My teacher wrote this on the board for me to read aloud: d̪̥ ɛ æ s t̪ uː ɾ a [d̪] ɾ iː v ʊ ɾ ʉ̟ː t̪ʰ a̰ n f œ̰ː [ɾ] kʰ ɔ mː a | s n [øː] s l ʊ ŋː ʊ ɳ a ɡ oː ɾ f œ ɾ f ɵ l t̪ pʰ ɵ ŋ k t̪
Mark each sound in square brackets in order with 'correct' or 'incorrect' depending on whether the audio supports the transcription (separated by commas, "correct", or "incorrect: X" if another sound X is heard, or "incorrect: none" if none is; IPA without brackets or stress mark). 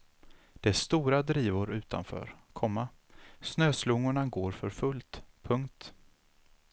correct, correct, correct